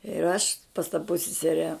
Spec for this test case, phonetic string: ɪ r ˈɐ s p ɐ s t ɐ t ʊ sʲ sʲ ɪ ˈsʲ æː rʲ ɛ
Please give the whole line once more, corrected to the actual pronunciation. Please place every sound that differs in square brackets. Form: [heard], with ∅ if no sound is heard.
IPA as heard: ɪ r ˈɐ [ʃ] p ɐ s t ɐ [p] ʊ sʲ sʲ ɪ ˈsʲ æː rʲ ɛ